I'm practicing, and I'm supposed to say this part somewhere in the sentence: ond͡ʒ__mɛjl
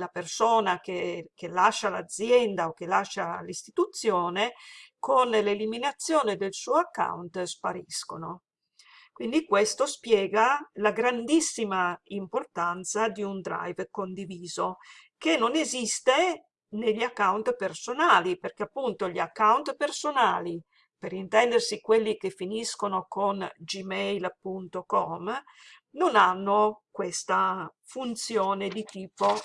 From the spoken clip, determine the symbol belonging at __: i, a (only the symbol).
i